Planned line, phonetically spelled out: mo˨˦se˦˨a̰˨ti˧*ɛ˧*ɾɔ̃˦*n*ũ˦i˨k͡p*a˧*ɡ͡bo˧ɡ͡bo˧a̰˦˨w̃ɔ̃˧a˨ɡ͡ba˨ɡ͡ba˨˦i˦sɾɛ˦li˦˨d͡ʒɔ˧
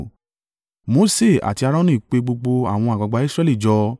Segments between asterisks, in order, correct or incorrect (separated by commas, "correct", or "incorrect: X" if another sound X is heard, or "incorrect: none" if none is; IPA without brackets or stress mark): incorrect: a˧, correct, incorrect: e˧